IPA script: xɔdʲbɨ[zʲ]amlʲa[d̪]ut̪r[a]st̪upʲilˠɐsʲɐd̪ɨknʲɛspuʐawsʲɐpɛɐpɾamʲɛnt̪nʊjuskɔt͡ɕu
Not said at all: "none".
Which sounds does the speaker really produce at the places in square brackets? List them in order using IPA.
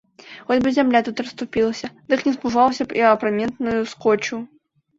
zʲ, t̪, ɐ

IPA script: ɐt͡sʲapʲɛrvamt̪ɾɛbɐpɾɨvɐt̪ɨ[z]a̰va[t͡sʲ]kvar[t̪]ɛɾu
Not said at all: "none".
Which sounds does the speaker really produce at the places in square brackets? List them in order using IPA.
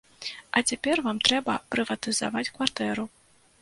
z, t͡sʲ, t̪

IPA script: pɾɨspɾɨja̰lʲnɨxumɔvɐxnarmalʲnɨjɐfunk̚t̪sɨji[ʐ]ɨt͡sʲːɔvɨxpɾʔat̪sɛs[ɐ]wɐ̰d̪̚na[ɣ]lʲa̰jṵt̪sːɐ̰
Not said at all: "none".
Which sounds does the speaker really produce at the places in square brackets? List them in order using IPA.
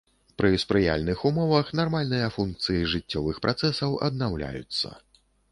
ʐ, ɐ, w

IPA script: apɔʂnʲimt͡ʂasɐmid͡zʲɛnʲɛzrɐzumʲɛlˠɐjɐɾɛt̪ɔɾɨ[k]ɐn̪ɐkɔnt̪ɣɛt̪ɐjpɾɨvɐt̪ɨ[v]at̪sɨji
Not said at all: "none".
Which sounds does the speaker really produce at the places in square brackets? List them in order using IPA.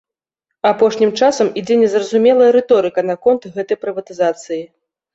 k, z

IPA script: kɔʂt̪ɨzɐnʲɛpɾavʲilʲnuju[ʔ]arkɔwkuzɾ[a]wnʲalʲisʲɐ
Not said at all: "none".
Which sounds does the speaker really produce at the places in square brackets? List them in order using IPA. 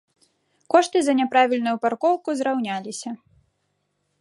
p, a

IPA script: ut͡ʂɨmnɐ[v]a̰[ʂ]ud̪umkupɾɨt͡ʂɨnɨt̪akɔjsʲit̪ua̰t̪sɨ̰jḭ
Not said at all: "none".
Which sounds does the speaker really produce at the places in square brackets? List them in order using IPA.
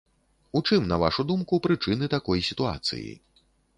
v, ʂ

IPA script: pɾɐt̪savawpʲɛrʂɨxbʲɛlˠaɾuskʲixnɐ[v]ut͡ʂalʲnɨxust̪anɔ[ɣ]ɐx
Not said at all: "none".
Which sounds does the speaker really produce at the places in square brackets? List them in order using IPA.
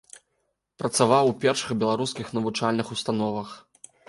v, v

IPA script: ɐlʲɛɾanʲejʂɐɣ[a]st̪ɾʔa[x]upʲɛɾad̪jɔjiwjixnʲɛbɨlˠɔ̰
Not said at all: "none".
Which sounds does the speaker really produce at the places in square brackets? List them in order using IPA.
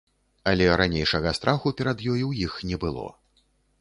ɐ, x

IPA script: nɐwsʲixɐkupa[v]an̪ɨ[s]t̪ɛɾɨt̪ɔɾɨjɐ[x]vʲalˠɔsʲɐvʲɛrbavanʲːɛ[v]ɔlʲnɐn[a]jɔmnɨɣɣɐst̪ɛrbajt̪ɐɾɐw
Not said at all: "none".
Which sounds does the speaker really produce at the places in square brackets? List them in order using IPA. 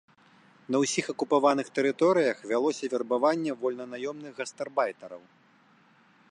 v, x, x, v, a

